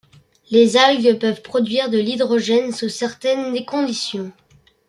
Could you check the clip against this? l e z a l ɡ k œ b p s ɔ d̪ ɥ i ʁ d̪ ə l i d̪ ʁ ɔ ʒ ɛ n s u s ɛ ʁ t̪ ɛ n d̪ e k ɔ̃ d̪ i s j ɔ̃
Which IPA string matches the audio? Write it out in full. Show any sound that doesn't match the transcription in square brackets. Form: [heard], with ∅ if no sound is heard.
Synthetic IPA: l e z a l ɡ [p] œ [v] p [χ] ɔ d̪ ɥ i ʁ d̪ ə l i d̪ ʁ ɔ ʒ ɛ n s u s ɛ ʁ t̪ ɛ n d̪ e k ɔ̃ d̪ i s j ɔ̃